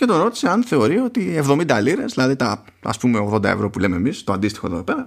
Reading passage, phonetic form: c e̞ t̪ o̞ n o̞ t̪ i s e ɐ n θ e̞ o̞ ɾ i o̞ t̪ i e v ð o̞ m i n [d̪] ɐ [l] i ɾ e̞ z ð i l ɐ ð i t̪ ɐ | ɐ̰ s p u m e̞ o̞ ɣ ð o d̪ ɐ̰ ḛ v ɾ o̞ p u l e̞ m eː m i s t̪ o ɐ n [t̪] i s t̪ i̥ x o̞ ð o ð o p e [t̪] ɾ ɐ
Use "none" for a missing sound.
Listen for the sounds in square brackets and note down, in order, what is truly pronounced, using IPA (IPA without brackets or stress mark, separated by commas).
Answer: d̪, l, d̪, none